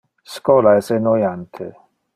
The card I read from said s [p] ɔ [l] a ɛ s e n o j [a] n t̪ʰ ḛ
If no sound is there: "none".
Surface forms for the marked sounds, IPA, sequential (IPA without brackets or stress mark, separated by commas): k, l, a